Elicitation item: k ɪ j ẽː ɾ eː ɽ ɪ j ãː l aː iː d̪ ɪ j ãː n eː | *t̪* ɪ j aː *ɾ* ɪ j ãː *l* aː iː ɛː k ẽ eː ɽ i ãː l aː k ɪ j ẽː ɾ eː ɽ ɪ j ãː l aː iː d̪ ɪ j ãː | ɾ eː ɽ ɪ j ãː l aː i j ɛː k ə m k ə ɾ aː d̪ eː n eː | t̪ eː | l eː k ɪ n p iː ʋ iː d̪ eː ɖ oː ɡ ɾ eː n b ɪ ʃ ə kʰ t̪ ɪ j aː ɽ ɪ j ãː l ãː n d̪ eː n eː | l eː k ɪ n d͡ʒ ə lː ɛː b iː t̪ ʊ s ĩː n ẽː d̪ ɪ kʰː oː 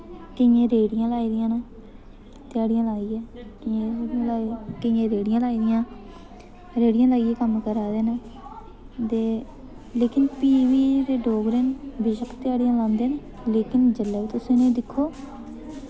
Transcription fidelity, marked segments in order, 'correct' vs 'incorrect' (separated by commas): correct, incorrect, correct